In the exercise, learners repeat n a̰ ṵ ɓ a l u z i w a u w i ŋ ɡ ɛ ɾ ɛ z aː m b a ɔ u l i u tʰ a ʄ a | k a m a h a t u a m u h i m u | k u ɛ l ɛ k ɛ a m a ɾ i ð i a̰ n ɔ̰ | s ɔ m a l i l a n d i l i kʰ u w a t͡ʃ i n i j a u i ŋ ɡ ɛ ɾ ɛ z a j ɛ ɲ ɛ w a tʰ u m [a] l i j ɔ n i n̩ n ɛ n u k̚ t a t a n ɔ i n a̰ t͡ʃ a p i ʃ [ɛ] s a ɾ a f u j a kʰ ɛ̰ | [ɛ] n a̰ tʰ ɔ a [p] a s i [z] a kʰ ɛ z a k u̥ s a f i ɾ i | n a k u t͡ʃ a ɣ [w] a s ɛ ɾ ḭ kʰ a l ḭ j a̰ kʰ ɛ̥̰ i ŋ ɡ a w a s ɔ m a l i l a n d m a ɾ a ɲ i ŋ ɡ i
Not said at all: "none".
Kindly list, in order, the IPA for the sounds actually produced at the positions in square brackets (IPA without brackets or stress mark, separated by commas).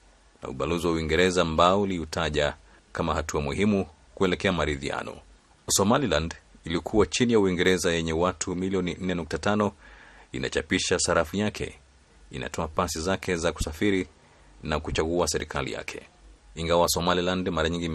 i, a, i, p, z, u